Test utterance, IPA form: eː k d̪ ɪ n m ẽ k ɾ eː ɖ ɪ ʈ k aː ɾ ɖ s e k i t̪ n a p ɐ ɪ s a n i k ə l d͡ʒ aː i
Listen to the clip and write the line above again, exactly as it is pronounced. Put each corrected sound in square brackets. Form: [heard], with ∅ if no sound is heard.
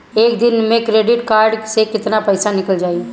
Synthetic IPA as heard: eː k d̪ ɪ n m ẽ k ɾ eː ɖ ɪ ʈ k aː ɾ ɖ s e k [ɪ] t̪ n a p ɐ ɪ s a n [ɪ] k ə l d͡ʒ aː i